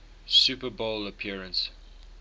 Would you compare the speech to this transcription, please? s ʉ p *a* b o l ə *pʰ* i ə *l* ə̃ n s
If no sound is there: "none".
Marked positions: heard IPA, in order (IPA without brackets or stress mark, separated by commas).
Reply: ə, pʰ, ɹ